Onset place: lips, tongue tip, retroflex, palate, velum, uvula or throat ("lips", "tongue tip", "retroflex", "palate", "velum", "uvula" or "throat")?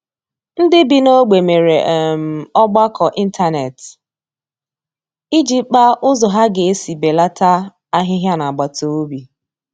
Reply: tongue tip